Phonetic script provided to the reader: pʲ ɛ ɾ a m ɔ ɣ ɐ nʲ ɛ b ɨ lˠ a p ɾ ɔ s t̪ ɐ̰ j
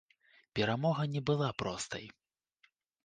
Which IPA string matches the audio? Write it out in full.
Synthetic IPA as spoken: pʲ ɛ ɾ a m ɔ ɣ ɐ nʲ ɛ b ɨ lˠ a p ɾ ɔ s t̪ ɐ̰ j